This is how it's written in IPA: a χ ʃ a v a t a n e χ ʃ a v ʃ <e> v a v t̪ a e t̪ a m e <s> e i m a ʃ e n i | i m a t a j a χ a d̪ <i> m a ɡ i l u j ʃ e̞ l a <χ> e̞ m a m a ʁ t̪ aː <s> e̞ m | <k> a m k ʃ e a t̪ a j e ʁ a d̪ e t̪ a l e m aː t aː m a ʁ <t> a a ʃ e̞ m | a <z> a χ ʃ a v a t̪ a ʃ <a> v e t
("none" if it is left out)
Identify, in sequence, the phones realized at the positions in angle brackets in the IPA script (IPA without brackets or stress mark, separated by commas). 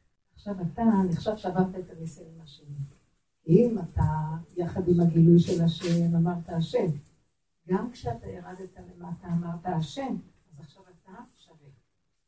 a, s, i, ʃ, ʃ, ɡ, t, z, a